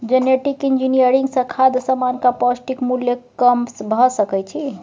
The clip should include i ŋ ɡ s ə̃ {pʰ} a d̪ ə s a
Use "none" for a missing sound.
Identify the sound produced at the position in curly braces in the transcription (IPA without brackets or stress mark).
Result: kʰ